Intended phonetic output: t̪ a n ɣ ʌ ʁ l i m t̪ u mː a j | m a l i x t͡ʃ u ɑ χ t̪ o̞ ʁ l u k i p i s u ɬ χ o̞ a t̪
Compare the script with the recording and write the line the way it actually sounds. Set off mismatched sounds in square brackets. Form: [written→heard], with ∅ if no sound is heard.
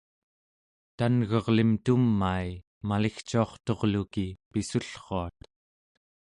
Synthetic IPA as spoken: t̪ a n ɣ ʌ ʁ l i m t̪ u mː a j | m a l i x t͡ʃ u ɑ χ t̪ o̞ ʁ l u k i p i s u ɬ χ o̞ a t̪